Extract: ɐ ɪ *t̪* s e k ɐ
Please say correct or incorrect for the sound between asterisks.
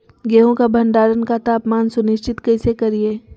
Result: incorrect